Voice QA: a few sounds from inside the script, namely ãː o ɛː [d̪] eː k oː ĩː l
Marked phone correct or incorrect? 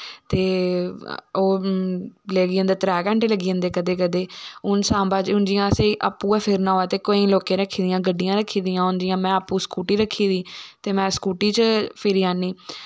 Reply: incorrect